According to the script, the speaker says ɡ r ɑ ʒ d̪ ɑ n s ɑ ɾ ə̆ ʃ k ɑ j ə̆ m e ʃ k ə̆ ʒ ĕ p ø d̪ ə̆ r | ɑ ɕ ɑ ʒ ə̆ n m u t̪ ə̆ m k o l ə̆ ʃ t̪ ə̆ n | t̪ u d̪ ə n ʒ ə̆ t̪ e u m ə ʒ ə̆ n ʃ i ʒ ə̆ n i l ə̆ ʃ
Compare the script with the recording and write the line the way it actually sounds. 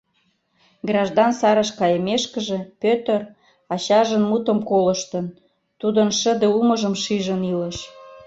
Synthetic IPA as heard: ɡ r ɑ ʒ d̪ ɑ n s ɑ ɾ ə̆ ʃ k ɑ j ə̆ m e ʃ k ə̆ ʒ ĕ p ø t̪ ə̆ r | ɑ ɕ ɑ ʒ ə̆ n m u t̪ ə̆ m k o l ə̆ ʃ t̪ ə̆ n | t̪ u d̪ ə n ʃ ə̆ d̪ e u m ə ʒ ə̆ m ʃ i ʒ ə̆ n i l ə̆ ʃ